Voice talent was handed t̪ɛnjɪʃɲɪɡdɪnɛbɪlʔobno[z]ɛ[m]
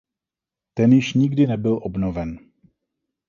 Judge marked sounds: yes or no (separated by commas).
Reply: no, no